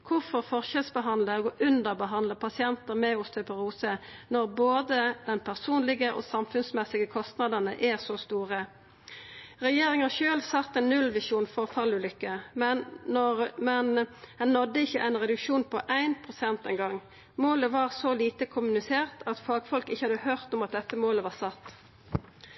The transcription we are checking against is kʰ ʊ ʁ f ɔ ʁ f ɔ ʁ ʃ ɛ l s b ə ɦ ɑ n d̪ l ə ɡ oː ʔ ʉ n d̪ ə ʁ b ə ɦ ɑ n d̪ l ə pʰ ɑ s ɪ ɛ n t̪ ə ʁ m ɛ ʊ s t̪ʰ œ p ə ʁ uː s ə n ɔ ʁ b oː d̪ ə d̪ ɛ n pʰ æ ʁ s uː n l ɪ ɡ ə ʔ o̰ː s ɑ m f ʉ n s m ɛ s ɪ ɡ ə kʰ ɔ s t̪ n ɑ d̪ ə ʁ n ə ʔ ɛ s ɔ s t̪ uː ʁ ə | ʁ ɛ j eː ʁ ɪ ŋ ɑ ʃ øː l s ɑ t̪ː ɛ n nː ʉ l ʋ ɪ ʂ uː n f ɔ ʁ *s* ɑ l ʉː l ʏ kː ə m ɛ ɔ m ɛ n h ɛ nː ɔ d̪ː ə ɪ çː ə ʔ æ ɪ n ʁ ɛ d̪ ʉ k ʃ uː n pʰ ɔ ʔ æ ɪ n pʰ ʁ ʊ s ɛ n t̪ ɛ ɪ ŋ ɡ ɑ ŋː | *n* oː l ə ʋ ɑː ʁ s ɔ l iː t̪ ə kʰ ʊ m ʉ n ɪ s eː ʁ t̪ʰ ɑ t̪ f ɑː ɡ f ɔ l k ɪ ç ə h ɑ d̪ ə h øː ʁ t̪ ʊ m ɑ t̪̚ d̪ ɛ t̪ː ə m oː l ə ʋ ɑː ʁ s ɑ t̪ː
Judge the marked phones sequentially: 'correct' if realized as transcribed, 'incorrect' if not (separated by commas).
incorrect, incorrect